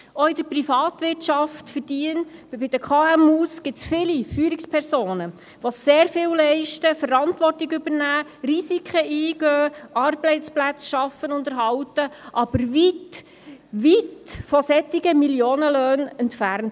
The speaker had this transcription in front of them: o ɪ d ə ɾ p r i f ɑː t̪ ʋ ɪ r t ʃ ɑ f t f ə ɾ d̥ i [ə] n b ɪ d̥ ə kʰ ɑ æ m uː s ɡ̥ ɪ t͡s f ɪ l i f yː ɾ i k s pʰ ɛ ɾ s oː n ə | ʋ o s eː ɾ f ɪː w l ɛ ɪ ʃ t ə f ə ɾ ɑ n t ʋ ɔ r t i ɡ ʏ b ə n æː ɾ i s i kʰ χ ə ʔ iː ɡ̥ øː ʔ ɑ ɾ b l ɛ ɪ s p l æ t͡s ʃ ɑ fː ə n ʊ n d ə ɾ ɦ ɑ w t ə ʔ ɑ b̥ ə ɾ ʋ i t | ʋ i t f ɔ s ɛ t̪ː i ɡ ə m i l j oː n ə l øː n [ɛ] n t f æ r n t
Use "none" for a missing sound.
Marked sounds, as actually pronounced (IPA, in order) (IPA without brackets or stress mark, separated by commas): ə, ɛ